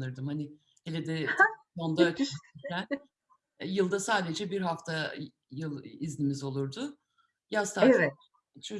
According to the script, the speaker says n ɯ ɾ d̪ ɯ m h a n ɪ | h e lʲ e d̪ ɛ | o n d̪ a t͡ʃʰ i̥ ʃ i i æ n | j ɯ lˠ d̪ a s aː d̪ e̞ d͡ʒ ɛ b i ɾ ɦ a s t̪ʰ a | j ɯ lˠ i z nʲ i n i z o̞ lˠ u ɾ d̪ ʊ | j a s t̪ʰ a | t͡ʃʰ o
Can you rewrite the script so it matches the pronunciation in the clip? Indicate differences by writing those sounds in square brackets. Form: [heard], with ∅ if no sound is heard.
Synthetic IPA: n ɯ ɾ d̪ ɯ m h a n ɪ | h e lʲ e d̪ ɛ | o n d̪ a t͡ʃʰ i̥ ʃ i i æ n | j ɯ lˠ d̪ a s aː d̪ e̞ d͡ʒ ɛ b i ɾ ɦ a [f] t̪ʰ a | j ɯ lˠ i z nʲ i [m] i z o̞ lˠ u ɾ d̪ ʊ | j a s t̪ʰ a | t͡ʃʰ o

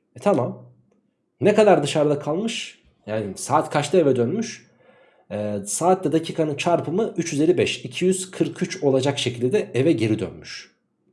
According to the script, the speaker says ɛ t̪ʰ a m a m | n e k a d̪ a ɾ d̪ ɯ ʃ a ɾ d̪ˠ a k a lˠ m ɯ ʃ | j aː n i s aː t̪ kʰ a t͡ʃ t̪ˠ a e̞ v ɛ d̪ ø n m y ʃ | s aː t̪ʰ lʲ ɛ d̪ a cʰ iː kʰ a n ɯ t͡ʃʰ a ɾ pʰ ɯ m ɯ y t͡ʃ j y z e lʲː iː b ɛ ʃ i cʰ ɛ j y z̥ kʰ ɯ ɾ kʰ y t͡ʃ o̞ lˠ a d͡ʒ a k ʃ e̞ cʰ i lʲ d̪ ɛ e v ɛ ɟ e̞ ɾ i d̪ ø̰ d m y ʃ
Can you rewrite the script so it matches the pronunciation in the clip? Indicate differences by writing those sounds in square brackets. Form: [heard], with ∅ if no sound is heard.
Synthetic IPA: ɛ t̪ʰ a m a m | n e k a d̪ a ɾ d̪ ɯ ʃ a ɾ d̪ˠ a [kʰ] a lˠ m ɯ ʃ | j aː n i s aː t̪ kʰ a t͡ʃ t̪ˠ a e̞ v ɛ d̪ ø n m y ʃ | s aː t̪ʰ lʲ ɛ d̪ a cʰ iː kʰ a n ɯ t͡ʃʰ a ɾ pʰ ɯ m ɯ y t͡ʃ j y z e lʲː [i] b ɛ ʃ i cʰ [i] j y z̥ kʰ ɯ ɾ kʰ y t͡ʃ o̞ lˠ a d͡ʒ a k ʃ e̞ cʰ i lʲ d̪ ɛ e v ɛ ɟ e̞ ɾ i d̪ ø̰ [n] m y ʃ

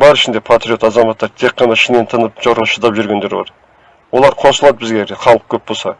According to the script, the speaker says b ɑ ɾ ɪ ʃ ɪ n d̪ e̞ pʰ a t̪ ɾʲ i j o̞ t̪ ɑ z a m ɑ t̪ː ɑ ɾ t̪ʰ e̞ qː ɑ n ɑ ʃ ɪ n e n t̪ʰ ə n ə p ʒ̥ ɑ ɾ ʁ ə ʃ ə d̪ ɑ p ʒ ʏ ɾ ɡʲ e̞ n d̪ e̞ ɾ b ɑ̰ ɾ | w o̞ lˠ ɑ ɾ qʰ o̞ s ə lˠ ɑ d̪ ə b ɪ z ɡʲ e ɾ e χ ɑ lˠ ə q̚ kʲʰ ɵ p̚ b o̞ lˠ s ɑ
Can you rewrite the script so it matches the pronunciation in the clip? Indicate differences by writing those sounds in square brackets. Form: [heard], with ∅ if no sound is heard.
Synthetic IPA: b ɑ ɾ ɪ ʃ ɪ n d̪ e̞ pʰ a t̪ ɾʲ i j o̞ t̪ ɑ z [ɑ] m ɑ t̪ː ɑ ɾ t̪ʰ e̞ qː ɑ n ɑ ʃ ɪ n e n t̪ʰ ə n ə p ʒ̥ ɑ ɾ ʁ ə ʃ ə d̪ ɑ p ʒ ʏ ɾ ɡʲ e̞ n d̪ e̞ ɾ b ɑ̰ ɾ | w o̞ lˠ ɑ ɾ qʰ o̞ s ə lˠ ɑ d̪ ə b ɪ z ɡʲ e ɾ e χ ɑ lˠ ə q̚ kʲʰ ɵ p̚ b o̞ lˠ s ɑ

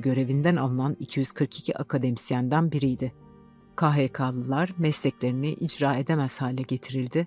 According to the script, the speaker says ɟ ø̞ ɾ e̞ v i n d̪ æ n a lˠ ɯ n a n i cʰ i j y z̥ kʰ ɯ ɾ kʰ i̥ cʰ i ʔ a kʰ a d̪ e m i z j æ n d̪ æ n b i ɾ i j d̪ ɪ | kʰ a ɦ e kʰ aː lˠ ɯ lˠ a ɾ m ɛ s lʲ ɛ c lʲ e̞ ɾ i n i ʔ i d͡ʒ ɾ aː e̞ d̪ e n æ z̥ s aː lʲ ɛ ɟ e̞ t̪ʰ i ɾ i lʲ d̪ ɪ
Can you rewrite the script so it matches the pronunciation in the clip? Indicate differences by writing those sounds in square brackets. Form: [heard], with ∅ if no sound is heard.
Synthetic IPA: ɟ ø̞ ɾ e̞ v i n d̪ æ n a lˠ ɯ n a n i cʰ i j y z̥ kʰ ɯ ɾ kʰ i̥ cʰ i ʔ a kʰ a d̪ e m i [s] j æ n d̪ æ n b i ɾ i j d̪ ɪ | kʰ a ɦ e kʰ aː lˠ ɯ lˠ a ɾ m ɛ s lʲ ɛ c lʲ e̞ ɾ i n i ʔ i d͡ʒ ɾ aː e̞ d̪ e [m] æ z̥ [h] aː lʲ ɛ ɟ e̞ t̪ʰ i ɾ i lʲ d̪ ɪ

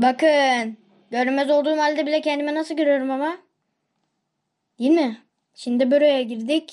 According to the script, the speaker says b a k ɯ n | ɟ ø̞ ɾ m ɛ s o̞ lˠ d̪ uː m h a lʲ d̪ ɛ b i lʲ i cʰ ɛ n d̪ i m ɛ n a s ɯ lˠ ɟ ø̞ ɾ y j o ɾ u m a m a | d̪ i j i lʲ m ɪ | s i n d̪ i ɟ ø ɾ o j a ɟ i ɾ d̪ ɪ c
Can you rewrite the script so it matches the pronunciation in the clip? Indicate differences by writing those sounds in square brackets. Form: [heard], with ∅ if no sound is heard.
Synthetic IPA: b a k ɯ n | ɟ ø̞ ɾ m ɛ [z] o̞ lˠ d̪ uː m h a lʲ d̪ ɛ b i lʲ [ɛ] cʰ ɛ n d̪ i m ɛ n a s ɯ lˠ ɟ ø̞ ɾ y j o ɾ u m a m a | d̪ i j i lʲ m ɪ | [ʃ] i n d̪ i [b] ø ɾ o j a ɟ i ɾ d̪ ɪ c

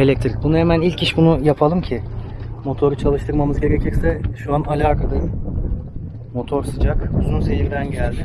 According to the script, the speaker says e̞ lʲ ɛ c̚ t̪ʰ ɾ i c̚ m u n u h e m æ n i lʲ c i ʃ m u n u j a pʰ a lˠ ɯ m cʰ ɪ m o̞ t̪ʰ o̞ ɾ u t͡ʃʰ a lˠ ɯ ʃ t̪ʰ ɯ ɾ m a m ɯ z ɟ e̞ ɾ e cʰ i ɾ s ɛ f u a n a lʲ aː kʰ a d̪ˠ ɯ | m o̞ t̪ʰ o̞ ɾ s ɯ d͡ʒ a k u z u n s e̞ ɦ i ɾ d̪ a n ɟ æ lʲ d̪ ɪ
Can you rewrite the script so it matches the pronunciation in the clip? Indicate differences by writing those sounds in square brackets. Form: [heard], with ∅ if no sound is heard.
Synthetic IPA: e̞ lʲ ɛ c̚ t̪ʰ ɾ i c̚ [b] u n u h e m æ n i lʲ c i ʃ [b] u n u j a pʰ a lˠ ɯ m cʰ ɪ m o̞ t̪ʰ o̞ ɾ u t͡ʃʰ a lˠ ɯ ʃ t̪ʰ ɯ ɾ m a m ɯ z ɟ e̞ ɾ e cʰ i ɾ s ɛ [ʃ] u a n a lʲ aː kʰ a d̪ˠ ɯ | m o̞ t̪ʰ o̞ ɾ s ɯ d͡ʒ a k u z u n s e̞ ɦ i ɾ d̪ [æ] n ɟ æ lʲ d̪ ɪ

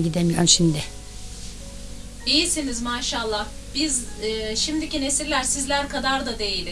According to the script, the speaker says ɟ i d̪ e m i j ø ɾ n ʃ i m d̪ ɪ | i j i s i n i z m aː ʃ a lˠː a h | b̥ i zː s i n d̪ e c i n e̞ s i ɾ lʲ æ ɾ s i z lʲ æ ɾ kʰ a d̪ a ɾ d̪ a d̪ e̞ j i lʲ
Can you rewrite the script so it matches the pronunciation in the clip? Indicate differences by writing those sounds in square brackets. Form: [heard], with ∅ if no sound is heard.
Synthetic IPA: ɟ i d̪ e m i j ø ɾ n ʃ i m d̪ ɪ | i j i s i n i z m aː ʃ a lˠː a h | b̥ i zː [ʃ] i [m] d̪ [i] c i n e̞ s i ɾ lʲ æ ɾ s i z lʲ æ ɾ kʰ a d̪ a ɾ d̪ a d̪ e̞ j i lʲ

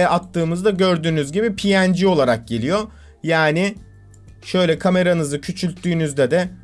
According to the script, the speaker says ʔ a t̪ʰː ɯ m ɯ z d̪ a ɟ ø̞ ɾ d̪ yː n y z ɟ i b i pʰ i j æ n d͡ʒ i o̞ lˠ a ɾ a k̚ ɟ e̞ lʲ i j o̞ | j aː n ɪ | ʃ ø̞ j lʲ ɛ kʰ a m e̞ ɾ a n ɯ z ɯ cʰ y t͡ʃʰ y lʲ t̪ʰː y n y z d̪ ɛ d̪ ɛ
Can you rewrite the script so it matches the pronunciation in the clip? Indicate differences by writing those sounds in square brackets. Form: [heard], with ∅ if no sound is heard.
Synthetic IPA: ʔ a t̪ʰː [ɯː] m ɯ z d̪ a ɟ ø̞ ɾ d̪ yː n y z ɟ i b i pʰ i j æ n d͡ʒ i o̞ lˠ a ɾ a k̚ ɟ e̞ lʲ i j o̞ | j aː n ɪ | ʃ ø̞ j lʲ ɛ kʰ a m e̞ ɾ a n ɯ z ɯ cʰ y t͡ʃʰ y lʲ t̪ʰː [yː] n y z d̪ ɛ d̪ ɛ

